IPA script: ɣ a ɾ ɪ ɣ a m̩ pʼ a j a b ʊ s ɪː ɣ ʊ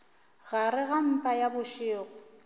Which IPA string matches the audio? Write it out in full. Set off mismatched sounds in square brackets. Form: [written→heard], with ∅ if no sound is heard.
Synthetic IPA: ɣ a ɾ ɪ ɣ a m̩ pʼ a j a b ʊ [s→ʃ] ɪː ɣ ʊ